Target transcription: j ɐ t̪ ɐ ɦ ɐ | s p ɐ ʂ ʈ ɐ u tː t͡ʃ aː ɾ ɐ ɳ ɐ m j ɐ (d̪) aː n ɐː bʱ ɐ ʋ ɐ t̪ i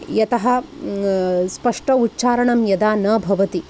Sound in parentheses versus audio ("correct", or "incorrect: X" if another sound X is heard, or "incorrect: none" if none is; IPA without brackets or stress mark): correct